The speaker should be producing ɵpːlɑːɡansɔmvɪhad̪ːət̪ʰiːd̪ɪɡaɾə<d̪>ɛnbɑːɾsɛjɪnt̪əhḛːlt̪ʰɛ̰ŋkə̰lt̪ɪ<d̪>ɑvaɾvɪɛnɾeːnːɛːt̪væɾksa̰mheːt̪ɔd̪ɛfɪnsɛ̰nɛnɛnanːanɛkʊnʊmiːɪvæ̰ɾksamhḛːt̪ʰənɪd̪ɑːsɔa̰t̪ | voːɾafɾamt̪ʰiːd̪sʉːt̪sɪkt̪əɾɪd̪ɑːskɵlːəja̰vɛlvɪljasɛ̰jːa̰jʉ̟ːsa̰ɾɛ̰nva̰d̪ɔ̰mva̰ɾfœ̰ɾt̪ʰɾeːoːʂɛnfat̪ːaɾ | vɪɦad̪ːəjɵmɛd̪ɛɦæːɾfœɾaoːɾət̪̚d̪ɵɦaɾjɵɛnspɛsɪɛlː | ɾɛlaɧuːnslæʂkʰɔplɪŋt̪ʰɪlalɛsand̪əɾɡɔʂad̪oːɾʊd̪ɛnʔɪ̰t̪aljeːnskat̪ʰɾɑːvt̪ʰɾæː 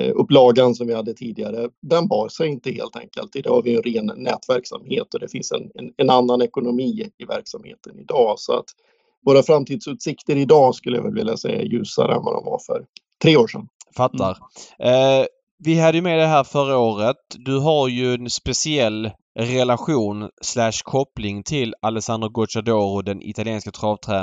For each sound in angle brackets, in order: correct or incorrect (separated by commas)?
correct, correct